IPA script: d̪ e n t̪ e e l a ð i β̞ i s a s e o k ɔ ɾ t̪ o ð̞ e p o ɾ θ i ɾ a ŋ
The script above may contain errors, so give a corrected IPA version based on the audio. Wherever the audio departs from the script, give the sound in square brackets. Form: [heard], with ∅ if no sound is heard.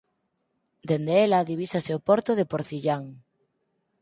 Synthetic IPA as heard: d̪ e n [d̪] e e l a ð i β̞ i s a s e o [p] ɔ ɾ t̪ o ð̞ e p o ɾ θ i [ʎ] a ŋ